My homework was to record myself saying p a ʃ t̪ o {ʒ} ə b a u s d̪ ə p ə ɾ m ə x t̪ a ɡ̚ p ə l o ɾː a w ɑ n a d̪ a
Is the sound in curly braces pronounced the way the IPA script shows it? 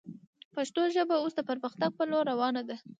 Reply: yes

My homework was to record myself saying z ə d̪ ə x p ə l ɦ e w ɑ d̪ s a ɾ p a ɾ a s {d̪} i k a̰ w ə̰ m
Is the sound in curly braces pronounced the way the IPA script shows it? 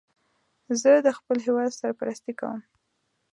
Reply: no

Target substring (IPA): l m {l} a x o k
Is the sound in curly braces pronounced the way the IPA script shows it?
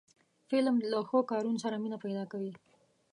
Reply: yes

